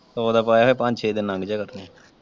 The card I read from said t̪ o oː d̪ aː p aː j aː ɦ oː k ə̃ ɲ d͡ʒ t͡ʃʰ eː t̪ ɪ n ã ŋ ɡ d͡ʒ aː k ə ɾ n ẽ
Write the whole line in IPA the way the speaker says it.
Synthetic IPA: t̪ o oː d̪ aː p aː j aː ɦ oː p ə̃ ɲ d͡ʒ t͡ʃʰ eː d̪ ɪ n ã ŋ ɡ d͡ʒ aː k ə ɾ n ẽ